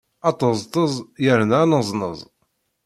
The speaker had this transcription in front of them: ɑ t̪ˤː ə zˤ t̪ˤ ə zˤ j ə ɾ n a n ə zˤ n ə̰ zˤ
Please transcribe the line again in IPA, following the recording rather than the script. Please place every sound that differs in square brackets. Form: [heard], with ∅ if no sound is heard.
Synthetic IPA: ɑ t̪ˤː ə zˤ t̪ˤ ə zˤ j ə ɾ n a n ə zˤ n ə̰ zˤ